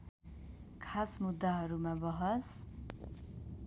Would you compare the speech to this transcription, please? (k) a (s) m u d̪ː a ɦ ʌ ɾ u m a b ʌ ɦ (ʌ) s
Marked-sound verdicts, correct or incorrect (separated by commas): incorrect, correct, correct